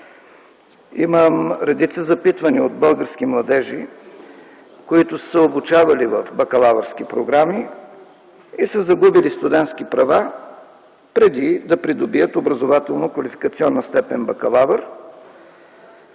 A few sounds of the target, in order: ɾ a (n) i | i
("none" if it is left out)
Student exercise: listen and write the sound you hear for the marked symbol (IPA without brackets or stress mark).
m